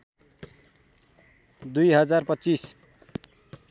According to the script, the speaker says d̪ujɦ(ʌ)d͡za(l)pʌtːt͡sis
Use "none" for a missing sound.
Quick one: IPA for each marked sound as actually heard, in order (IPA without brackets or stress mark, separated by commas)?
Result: ʌ, r